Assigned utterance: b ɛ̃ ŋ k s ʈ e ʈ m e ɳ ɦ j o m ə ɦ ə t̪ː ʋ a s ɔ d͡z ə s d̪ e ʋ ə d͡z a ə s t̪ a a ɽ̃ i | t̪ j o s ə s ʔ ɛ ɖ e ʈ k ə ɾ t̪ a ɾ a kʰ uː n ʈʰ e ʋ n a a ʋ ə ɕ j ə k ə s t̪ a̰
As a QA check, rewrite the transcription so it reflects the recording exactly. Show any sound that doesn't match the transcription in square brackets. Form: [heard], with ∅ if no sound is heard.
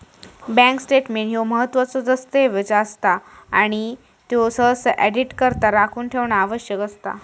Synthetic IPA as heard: b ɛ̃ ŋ k s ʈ e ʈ m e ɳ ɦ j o m ə ɦ ə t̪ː ʋ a [t͡s] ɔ d͡z ə s [t̪] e ʋ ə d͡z a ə s t̪ a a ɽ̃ i | t̪ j o s ə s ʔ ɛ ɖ [i] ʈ k ə ɾ t̪ a ɾ a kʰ uː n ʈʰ e ʋ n a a ʋ ə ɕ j ə k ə s t̪ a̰